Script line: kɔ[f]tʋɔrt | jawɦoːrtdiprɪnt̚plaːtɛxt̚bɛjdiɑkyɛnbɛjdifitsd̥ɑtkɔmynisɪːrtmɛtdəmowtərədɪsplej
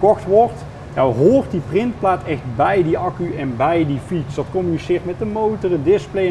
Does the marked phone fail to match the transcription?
yes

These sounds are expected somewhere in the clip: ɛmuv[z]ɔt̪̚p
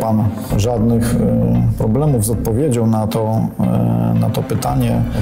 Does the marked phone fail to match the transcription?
no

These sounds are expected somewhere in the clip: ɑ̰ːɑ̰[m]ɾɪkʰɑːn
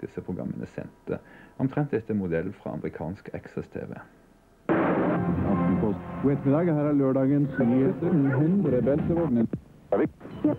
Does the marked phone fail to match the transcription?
no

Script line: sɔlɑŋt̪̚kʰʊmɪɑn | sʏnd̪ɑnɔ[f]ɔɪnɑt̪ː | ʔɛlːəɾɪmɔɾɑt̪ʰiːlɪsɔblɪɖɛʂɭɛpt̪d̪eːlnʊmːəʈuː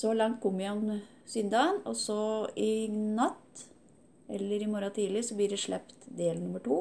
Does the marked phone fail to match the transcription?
yes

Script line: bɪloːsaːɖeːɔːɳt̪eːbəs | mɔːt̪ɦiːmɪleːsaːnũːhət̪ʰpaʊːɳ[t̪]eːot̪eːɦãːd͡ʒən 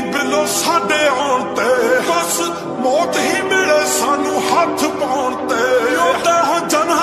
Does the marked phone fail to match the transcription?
no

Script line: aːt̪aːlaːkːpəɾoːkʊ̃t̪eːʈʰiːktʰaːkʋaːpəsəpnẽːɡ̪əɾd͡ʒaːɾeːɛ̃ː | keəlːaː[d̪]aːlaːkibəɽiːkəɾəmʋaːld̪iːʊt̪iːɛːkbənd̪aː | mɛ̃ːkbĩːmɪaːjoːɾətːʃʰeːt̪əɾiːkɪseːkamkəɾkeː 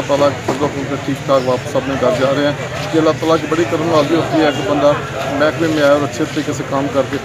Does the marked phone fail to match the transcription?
yes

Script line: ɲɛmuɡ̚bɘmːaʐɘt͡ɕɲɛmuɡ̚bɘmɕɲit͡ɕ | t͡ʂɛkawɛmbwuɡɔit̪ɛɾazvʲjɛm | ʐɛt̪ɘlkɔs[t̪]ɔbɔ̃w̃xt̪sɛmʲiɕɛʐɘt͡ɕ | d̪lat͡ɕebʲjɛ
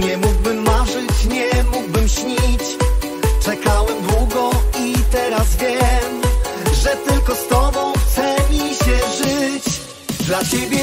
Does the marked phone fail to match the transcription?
no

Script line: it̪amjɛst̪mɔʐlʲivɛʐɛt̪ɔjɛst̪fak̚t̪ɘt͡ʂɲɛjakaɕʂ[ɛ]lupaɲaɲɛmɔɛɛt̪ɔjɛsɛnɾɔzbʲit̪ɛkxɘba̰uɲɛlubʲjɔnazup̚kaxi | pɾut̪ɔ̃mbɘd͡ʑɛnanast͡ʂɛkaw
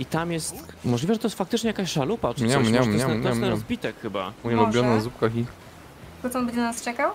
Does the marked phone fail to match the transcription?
yes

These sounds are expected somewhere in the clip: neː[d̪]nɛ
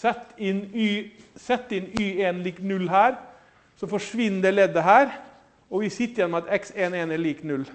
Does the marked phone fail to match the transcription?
yes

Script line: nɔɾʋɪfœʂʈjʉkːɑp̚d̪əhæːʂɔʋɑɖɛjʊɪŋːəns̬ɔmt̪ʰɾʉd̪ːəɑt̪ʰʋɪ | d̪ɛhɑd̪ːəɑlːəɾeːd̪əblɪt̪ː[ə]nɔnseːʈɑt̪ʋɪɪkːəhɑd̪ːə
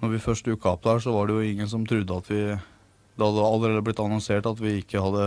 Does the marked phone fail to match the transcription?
yes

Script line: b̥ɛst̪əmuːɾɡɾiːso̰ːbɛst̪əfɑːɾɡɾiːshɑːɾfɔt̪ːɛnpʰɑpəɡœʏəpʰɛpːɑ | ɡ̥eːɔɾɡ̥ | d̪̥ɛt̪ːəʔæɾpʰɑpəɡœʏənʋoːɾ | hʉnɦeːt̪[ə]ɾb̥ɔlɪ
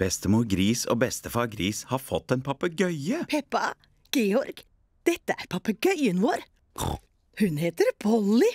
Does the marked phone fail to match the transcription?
no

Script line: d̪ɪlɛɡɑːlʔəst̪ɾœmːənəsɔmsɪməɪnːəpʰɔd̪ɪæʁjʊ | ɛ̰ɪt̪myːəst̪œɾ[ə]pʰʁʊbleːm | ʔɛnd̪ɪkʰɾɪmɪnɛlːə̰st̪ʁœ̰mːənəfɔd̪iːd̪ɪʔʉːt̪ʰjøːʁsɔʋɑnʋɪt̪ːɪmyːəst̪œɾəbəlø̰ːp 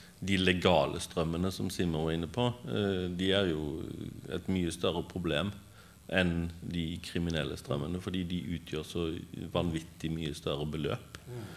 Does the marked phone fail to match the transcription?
no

